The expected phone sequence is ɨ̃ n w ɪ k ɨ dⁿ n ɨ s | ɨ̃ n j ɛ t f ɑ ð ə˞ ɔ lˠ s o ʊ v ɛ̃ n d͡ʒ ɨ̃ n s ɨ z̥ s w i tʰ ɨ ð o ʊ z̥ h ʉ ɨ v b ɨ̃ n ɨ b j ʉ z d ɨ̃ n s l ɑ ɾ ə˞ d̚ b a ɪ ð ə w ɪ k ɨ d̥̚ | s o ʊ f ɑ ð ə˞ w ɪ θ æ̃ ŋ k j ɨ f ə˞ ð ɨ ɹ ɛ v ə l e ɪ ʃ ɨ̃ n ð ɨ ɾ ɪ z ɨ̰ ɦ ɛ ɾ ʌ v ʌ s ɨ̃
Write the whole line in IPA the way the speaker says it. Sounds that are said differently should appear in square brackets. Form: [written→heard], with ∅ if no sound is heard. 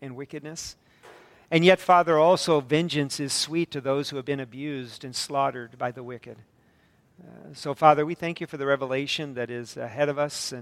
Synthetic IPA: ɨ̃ n w ɪ k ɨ dⁿ n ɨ s | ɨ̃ n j ɛ t f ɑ ð ə˞ ɔ lˠ s o ʊ v ɛ̃ n d͡ʒ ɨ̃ n s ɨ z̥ s w i tʰ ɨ ð o ʊ z̥ h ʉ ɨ v b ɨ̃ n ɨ b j ʉ z d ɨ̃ n s l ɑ ɾ ə˞ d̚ b a ɪ ð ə w ɪ k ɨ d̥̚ | s o ʊ f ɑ ð ə˞ w [ɪ→i] θ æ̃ ŋ k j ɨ f ə˞ ð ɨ ɹ ɛ v ə l e ɪ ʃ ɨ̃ n ð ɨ ɾ ɪ z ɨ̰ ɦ ɛ ɾ ʌ v ʌ s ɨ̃